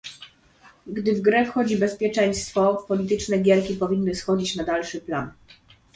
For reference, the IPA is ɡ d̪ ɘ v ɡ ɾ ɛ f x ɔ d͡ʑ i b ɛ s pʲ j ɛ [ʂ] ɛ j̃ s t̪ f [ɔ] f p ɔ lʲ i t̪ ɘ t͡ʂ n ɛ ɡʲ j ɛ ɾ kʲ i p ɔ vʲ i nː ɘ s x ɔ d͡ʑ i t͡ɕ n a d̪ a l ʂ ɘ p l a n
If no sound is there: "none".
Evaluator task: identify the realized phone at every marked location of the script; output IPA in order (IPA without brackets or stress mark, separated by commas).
t͡ʂ, ɔ